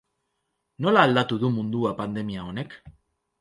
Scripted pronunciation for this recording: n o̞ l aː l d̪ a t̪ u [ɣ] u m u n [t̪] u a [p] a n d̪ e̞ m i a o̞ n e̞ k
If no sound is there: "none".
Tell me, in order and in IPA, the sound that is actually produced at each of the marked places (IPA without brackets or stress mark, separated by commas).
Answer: ð, d̪, p